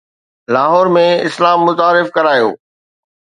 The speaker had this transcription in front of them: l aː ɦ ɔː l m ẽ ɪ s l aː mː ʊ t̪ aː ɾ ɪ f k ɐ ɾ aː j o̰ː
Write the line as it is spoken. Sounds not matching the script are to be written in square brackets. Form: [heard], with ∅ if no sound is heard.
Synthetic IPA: l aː ɦ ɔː [ɾ] m ẽ ɪ s l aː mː ʊ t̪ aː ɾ ɪ f k ɐ ɾ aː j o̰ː